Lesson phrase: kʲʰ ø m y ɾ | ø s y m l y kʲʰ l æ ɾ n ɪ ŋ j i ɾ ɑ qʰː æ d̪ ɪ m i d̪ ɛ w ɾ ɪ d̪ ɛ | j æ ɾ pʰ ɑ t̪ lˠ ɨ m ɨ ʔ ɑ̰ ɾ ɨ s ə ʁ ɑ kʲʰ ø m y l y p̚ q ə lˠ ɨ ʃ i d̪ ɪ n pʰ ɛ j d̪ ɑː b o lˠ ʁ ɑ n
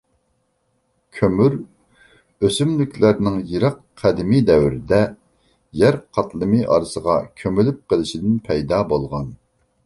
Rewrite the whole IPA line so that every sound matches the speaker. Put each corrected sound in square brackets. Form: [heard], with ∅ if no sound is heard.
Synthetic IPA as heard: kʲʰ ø m y ɾ | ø s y m l y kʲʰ l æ ɾ n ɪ ŋ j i ɾ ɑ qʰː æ d̪ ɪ m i d̪ ɛ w ɾ ɪ d̪ ɛ | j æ ɾ [qʰ] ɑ t̪ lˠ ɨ m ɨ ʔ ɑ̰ ɾ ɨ s ə ʁ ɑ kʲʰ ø m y l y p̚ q ə lˠ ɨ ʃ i d̪ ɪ n pʰ ɛ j d̪ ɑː b o lˠ ʁ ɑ n